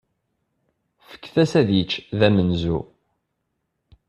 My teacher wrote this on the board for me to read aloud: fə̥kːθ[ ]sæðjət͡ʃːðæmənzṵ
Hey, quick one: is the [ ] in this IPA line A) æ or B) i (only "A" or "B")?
A